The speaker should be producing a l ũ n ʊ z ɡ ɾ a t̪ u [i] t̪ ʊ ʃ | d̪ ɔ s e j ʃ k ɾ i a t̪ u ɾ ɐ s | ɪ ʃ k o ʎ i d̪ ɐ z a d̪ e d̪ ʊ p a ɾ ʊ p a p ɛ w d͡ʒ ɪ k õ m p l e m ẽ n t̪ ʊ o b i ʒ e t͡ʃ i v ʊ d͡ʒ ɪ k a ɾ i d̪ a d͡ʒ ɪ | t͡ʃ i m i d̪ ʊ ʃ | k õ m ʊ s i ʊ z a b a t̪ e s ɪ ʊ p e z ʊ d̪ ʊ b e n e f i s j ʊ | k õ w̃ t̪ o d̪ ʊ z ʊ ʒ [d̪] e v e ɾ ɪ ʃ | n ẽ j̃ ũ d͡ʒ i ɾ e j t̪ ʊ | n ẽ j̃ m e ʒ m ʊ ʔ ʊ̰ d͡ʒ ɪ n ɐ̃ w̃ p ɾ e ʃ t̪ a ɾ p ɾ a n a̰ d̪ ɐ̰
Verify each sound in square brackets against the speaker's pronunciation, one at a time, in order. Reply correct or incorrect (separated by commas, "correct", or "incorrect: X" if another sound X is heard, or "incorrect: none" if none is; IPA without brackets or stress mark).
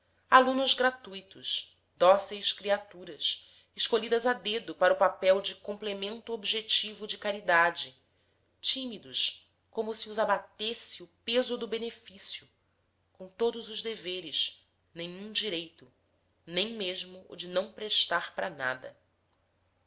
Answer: incorrect: j, correct